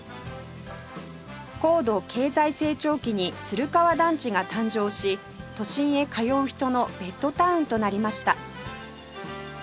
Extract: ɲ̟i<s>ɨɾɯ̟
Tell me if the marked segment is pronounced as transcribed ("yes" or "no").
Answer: no